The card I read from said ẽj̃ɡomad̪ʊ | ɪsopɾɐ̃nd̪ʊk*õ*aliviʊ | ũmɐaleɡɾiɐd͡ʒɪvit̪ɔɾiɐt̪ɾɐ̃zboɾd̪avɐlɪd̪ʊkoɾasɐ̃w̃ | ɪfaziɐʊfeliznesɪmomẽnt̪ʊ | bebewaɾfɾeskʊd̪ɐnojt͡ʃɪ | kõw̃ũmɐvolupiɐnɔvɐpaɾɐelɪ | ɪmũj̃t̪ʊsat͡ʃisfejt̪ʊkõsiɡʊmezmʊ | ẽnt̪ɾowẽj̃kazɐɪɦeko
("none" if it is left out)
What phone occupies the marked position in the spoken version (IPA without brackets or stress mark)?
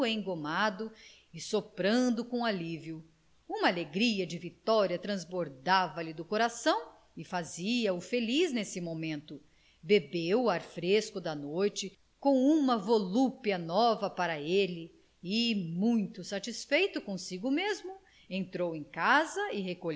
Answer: õ